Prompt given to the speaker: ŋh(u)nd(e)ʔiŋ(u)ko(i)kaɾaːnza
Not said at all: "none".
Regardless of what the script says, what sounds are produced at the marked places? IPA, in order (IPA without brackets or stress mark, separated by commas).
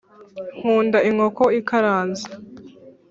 uː, a, o, i